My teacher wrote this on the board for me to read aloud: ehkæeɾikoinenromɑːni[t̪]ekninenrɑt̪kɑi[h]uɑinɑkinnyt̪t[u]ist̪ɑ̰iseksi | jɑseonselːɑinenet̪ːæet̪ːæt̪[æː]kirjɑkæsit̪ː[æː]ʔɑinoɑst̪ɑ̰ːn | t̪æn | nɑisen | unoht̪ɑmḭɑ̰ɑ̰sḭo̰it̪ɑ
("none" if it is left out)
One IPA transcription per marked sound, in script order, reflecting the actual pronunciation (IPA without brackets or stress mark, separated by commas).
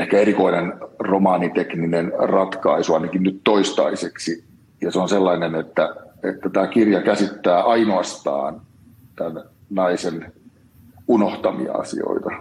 t̪, s, o, æː, æː